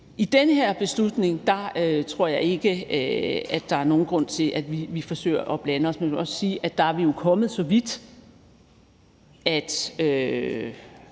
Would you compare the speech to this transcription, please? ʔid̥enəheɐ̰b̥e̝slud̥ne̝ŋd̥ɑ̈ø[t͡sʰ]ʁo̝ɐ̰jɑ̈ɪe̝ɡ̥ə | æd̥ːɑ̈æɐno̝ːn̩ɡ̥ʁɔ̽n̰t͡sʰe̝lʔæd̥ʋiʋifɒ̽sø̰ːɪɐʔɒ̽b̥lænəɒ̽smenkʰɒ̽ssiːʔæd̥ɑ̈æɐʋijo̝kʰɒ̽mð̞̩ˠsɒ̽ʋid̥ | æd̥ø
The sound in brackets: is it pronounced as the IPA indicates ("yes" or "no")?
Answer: yes